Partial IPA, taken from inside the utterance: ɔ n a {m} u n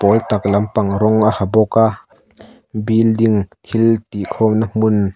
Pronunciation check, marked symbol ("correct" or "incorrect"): correct